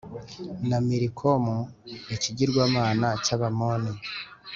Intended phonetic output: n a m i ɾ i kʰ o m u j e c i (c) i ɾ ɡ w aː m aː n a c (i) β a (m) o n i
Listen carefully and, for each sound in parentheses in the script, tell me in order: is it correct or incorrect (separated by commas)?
incorrect, incorrect, correct